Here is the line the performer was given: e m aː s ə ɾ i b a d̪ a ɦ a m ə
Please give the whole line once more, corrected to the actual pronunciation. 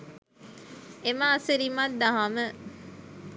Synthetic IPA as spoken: e m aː s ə ɾ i m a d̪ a ɦ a m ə